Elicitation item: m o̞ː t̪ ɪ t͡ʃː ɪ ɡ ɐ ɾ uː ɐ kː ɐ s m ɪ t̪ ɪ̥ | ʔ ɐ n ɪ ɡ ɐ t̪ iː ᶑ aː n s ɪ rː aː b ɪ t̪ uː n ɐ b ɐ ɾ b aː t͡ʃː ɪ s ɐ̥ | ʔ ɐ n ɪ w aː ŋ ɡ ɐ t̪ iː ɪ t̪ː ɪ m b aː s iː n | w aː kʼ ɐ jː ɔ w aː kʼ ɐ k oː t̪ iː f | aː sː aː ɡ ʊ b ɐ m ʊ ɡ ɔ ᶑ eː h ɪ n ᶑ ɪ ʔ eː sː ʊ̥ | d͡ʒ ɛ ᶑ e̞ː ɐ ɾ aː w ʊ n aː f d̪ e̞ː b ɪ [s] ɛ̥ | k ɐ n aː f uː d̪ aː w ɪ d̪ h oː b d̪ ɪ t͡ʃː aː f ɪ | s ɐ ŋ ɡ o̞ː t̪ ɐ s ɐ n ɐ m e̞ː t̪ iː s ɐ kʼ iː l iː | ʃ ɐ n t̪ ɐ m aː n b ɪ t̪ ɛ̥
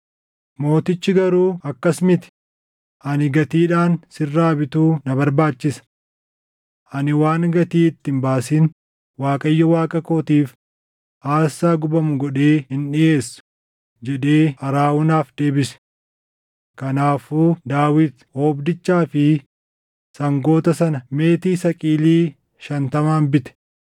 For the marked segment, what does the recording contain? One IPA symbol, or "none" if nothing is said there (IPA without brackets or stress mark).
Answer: s